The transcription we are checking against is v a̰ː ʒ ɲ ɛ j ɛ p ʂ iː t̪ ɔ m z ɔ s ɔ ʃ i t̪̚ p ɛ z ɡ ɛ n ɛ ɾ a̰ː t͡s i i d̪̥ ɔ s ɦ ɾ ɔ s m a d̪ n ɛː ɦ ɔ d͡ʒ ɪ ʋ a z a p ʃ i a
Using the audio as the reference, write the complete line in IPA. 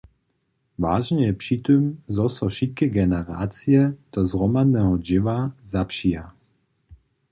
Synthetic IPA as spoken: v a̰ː ʒ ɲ ɛ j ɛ p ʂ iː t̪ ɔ m z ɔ s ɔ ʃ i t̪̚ k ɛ ɡ ɛ n ɛ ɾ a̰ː t͡s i ɛ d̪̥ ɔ z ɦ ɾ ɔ m a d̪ n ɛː ɦ ɔ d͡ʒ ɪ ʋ a z a p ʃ i a